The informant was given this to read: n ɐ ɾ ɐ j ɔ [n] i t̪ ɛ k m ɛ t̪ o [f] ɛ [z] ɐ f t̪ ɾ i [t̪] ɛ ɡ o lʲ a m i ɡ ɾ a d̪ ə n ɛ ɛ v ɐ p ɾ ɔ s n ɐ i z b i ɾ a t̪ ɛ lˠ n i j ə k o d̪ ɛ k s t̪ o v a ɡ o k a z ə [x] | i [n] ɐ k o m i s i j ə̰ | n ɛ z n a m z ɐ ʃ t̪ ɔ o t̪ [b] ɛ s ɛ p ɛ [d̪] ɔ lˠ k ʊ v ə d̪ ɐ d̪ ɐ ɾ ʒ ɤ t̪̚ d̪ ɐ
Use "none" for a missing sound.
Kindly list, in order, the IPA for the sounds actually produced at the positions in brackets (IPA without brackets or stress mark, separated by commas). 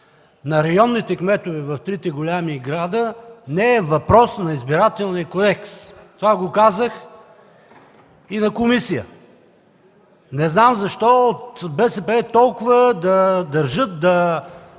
nː, v, v, t̪, x, n, b, t̪